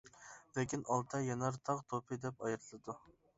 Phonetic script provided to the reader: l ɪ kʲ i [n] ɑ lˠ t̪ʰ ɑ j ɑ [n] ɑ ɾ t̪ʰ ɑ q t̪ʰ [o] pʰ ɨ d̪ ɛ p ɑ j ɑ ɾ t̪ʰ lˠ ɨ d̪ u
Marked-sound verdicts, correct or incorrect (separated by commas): correct, correct, correct